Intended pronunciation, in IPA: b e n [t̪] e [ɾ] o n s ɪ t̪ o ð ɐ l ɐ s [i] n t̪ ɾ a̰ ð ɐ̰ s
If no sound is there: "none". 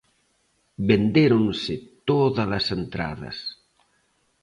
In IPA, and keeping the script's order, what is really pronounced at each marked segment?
d̪, ɾ, e

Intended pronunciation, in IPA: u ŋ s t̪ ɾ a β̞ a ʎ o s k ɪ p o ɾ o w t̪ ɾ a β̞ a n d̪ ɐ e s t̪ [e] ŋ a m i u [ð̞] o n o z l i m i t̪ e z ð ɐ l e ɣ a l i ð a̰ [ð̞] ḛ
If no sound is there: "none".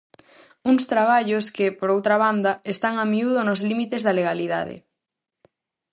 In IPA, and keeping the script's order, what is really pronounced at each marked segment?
a, ð̞, ð̞

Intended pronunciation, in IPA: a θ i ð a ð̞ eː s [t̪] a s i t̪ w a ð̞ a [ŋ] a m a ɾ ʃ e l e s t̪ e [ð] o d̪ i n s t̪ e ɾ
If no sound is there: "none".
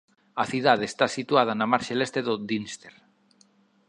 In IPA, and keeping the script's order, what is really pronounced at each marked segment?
t̪, n, ð

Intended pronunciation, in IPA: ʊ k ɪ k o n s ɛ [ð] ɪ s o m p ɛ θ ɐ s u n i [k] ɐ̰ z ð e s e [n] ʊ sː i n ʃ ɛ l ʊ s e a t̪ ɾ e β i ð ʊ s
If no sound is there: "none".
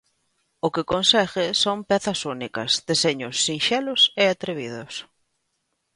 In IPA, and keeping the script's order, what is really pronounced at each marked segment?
ɣ, k, ɲ

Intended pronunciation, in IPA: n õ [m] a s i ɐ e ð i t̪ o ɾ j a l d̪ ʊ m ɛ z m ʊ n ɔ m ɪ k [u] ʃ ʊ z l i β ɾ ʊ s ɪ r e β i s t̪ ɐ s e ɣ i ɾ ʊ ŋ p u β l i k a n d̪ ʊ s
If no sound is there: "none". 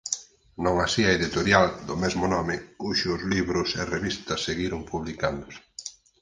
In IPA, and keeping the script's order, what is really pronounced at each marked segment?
ŋ, u

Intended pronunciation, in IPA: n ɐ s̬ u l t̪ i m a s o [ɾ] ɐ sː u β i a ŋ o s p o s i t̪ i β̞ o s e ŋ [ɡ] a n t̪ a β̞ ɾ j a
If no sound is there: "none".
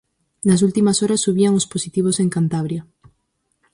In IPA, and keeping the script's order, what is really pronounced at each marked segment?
ɾ, k

